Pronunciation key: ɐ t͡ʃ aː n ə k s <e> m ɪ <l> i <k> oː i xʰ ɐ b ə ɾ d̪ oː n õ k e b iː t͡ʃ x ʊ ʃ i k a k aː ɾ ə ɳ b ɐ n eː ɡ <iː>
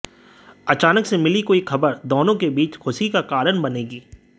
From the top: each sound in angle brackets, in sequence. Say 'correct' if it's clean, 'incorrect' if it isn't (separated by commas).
correct, correct, correct, correct